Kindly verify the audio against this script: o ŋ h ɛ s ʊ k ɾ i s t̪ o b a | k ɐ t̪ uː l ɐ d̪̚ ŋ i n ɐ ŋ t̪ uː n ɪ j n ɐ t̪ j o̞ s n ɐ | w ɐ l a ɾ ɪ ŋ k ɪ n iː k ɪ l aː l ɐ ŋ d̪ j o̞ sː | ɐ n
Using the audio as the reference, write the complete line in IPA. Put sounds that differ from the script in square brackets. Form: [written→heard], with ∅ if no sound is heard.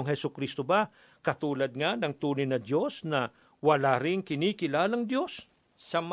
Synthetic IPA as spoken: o ŋ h ɛ s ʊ k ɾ i s t̪ o b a | k ɐ t̪ uː l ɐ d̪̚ ŋ [i→a] n ɐ ŋ t̪ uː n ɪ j n ɐ [t̪→d̪] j o̞ s n ɐ | w ɐ l a ɾ ɪ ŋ k ɪ n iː k ɪ l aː l ɐ ŋ d̪ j o̞ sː | ɐ [n→m]